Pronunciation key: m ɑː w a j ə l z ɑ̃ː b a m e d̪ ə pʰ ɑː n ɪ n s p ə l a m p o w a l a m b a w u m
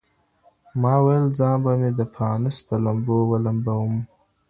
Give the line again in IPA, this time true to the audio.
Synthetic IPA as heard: m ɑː w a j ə l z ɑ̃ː b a m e d̪ ə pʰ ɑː n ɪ s p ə l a m b o w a l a m b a w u m